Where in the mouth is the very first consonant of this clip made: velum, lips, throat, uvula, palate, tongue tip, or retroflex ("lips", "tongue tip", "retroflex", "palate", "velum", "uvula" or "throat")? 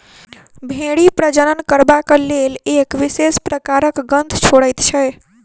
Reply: lips